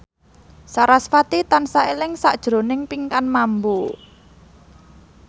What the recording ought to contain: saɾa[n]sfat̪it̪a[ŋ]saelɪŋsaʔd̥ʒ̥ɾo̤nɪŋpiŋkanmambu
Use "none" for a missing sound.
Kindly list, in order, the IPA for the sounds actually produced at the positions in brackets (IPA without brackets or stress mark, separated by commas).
none, n